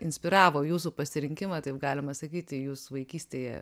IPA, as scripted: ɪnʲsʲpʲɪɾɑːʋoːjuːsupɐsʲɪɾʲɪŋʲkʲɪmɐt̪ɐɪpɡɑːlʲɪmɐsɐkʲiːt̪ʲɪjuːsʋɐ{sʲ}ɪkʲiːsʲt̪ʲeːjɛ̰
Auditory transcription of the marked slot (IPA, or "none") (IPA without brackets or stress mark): none